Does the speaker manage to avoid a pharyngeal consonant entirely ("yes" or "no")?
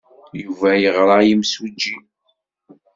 yes